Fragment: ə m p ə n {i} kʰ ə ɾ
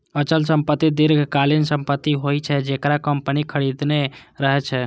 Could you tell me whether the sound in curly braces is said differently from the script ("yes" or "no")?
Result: no